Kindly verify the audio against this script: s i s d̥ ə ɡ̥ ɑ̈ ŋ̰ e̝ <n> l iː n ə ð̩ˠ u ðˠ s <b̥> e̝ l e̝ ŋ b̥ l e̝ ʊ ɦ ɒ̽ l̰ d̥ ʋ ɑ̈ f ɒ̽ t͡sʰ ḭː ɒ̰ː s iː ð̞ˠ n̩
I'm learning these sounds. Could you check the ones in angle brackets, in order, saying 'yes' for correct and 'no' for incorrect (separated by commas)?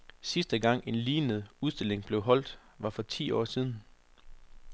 yes, no